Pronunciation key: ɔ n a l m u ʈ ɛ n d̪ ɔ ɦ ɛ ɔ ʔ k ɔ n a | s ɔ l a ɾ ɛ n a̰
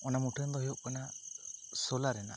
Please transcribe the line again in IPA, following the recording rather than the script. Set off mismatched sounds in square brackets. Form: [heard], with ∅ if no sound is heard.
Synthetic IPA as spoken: ɔ n a [∅] m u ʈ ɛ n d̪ ɔ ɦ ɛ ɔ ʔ k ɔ n a | s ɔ l a ɾ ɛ n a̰